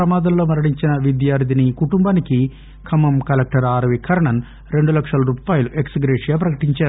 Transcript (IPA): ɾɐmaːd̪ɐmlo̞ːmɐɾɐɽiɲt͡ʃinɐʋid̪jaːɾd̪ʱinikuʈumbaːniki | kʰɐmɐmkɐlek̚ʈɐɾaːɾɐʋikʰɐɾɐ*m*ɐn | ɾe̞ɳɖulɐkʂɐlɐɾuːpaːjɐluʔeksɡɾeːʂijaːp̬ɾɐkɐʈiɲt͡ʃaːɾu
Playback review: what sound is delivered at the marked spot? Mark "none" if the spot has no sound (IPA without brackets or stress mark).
ɳ